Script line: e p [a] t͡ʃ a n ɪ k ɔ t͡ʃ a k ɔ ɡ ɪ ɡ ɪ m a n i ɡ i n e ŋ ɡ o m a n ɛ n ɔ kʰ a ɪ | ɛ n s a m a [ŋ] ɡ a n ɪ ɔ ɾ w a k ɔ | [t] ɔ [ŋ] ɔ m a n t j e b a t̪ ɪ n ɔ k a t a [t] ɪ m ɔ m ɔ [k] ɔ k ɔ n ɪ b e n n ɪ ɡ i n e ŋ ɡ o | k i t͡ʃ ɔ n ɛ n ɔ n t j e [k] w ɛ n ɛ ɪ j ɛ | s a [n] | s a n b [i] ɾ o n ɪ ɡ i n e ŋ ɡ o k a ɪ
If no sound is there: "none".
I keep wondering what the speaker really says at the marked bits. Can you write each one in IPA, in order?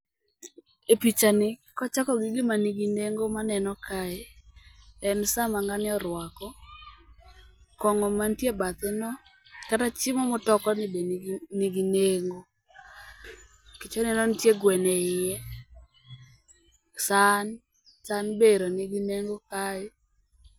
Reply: i, ŋ, k, ŋ, t͡ʃ, t, ɡ, n, e

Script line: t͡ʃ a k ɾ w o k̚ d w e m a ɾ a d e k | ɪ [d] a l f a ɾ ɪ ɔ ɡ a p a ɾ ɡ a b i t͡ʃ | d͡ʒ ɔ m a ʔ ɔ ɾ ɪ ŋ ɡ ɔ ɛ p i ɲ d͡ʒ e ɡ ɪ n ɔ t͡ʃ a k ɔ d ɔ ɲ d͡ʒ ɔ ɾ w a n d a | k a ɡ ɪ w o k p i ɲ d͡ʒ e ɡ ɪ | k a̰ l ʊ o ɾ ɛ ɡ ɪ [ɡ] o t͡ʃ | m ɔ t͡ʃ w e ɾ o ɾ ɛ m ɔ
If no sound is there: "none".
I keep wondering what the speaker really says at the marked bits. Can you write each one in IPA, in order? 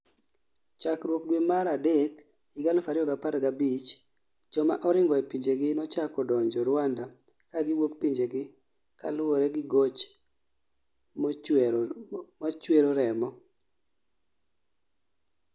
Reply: ɡ, ɡ

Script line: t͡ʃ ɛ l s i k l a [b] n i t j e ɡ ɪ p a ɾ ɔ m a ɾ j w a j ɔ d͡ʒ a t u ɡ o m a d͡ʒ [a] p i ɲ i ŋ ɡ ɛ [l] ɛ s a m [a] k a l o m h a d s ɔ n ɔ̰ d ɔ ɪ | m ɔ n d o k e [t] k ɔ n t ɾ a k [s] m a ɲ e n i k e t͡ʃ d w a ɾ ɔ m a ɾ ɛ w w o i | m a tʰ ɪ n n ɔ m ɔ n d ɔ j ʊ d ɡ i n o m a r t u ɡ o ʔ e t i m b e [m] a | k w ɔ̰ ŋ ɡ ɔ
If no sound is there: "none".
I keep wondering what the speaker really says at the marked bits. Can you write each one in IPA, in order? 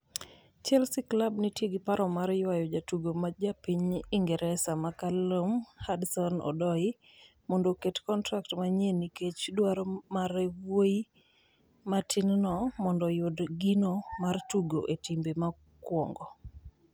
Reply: b, a, ɾ, a, t, t, m

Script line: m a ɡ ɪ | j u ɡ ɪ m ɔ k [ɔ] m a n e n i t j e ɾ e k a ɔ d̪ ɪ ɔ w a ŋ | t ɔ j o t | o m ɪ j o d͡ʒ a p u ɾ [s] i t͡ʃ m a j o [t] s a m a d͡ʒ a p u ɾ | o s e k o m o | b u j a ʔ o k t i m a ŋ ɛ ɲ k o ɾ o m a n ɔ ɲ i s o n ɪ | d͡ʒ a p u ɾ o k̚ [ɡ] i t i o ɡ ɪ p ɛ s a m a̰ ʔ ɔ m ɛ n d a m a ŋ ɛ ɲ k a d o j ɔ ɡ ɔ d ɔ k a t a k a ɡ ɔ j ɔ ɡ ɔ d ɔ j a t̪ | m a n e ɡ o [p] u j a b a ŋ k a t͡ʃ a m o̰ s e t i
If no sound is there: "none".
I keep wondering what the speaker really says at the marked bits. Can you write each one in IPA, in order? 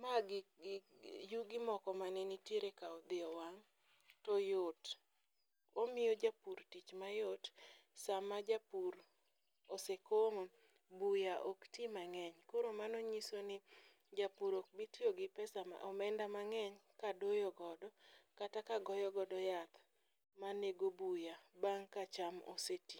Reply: ɔ, t, t, b, b

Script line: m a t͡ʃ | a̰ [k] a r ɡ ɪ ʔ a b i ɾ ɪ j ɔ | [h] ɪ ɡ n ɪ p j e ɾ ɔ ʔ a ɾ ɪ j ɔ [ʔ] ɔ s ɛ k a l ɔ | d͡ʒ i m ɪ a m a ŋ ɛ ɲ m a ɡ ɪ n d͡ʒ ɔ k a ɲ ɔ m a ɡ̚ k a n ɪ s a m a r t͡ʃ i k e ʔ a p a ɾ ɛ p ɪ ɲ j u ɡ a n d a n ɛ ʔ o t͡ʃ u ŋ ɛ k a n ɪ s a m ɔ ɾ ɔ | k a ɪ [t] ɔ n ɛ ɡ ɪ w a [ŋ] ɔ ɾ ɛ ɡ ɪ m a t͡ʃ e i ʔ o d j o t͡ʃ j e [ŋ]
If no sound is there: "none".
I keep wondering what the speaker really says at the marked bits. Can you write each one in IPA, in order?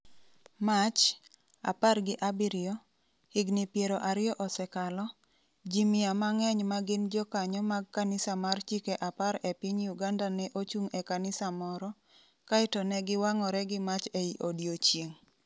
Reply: p, h, ʔ, t, ŋ, ŋ

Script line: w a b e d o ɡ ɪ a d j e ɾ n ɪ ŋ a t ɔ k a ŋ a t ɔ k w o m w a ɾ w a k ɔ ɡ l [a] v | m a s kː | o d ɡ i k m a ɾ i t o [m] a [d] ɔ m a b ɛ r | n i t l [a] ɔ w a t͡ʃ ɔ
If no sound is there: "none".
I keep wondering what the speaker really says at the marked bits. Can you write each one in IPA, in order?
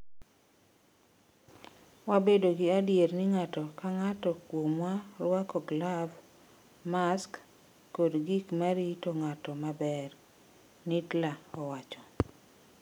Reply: a, ŋ, t, a

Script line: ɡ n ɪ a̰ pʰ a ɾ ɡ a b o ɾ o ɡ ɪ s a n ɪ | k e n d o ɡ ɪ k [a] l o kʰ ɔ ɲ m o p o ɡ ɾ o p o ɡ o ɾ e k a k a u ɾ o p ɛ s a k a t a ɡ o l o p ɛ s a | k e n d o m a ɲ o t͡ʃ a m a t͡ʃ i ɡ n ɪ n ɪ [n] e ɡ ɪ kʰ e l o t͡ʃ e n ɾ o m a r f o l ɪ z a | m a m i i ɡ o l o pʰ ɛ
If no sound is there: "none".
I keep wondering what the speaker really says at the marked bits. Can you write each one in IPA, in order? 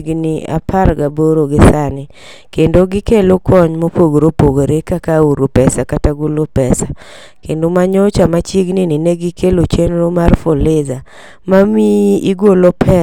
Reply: e, n

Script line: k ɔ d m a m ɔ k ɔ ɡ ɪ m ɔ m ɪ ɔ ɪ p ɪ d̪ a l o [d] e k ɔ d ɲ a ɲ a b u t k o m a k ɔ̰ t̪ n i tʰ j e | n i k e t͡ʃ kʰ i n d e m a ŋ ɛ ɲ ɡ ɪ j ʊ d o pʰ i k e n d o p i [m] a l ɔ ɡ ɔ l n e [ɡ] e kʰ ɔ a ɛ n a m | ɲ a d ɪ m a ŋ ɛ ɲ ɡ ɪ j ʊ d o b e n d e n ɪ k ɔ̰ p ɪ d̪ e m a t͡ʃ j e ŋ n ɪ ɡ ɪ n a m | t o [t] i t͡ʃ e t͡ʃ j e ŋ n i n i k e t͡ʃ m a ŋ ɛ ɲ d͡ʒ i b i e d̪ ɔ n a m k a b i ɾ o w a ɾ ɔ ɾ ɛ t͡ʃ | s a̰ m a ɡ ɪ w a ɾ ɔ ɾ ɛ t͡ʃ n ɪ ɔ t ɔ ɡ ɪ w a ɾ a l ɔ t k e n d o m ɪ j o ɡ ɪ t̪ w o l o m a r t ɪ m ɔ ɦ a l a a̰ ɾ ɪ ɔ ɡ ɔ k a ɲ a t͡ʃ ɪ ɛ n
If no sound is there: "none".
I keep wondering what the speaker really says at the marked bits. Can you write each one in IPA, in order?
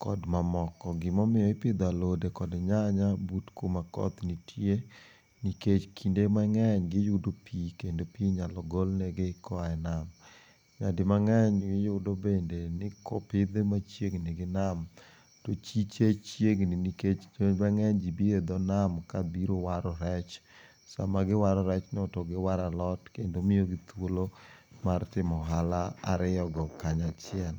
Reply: d, ɲ, ɡ, t͡ʃ

